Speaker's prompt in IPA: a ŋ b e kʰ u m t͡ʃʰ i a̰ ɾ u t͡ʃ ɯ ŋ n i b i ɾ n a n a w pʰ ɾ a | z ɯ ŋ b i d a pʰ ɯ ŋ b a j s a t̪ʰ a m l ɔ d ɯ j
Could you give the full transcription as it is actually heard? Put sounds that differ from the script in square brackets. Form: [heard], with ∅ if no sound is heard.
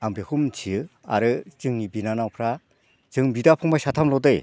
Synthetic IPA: a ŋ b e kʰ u m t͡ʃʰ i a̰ ɾ [ɯ] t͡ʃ ɯ ŋ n i b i [∅] n a n a w pʰ ɾ a | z ɯ ŋ b i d a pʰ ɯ ŋ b a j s a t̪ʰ a m l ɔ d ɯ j